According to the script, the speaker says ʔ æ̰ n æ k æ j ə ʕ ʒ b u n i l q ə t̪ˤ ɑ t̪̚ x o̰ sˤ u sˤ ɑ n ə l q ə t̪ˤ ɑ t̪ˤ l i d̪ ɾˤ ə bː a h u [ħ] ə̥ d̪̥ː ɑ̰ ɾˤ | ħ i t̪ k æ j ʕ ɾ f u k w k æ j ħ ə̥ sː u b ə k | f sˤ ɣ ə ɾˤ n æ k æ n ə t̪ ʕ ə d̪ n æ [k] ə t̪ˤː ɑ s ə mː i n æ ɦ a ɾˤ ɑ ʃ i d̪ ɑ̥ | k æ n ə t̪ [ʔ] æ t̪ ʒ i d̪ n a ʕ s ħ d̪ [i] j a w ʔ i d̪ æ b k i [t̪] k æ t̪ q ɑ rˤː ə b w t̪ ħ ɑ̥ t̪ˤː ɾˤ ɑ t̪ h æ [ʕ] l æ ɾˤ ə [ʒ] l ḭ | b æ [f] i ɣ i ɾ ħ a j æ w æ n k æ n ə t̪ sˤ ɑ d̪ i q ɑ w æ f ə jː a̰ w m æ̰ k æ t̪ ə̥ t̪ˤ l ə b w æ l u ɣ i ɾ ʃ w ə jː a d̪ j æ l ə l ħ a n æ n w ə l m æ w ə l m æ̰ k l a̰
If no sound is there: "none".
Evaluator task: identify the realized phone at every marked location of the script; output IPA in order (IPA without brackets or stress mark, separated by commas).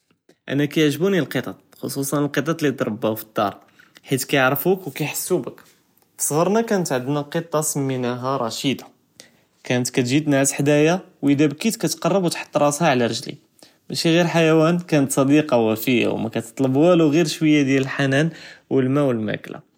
f, q, k, æ, t̪, ʕ, ʒ, ʃ